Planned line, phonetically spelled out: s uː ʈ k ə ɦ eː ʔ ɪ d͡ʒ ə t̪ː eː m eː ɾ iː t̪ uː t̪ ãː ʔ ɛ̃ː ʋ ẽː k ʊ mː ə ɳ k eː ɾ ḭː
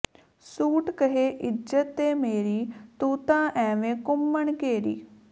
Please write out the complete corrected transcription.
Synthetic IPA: s uː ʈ k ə ɦ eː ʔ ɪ d͡ʒ ə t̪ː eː m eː ɾ iː t̪ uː t̪ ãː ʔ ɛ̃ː ʋ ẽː k ʊ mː ə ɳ k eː ɾ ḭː